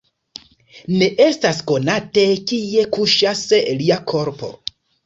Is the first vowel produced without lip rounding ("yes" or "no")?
yes